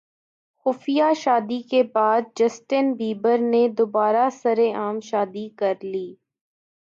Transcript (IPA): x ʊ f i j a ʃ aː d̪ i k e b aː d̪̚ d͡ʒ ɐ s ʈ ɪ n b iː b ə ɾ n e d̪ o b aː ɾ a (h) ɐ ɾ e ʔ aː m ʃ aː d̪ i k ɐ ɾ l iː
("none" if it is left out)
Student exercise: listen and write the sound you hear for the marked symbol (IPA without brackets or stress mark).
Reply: s